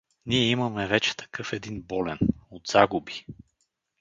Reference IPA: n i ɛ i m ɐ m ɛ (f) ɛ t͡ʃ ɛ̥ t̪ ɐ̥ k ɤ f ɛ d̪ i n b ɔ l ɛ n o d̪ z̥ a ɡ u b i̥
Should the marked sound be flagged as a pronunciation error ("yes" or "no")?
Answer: yes